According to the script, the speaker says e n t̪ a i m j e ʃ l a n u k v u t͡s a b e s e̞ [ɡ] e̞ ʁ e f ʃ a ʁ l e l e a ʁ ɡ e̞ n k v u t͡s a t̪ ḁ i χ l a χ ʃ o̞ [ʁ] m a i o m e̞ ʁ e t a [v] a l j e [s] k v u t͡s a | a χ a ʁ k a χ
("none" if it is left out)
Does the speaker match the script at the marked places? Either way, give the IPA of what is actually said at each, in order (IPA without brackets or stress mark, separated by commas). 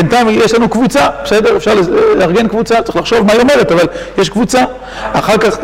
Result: d, v, v, ʃ